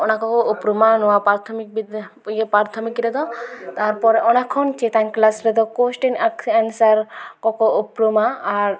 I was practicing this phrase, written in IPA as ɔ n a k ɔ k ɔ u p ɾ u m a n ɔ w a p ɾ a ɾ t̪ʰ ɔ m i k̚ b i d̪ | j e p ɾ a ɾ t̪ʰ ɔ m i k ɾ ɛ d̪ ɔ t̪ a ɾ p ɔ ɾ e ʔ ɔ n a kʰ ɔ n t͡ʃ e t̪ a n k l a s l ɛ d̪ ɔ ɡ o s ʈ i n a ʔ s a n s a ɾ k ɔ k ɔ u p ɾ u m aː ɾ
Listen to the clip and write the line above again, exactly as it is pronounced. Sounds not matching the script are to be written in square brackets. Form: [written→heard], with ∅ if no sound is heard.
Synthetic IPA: ɔ n a k ɔ k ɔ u p ɾ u m a n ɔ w a p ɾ a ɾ t̪ʰ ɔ m i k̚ b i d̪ | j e p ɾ a ɾ t̪ʰ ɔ m i k ɾ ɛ d̪ ɔ t̪ a ɾ p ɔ ɾ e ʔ ɔ n a kʰ ɔ n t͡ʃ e t̪ a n k l a s [l→ɾ] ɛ d̪ ɔ [ɡ→k] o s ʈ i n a [ʔ→k] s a n s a ɾ k ɔ k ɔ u p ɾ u m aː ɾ